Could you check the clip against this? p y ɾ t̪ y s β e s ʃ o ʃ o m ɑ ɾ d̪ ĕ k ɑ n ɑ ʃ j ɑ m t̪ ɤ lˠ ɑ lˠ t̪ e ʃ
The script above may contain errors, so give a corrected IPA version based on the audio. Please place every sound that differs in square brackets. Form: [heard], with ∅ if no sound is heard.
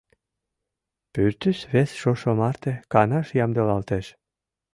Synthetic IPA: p y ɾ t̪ y s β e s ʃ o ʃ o m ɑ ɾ [t̪] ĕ k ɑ n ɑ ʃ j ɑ m [d̪] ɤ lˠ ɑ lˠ t̪ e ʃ